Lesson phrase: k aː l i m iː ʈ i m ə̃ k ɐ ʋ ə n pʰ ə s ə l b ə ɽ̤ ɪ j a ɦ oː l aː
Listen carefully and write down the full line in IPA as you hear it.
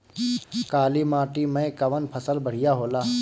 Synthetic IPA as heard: k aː l i m aː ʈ i m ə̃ k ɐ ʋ ə n pʰ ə s ə l b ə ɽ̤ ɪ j a ɦ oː l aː